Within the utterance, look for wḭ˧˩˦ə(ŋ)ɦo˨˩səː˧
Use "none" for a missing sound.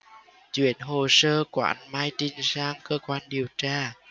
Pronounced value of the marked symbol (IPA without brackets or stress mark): n